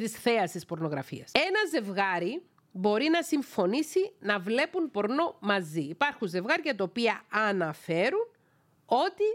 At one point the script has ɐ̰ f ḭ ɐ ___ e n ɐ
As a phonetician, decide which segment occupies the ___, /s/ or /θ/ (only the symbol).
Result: s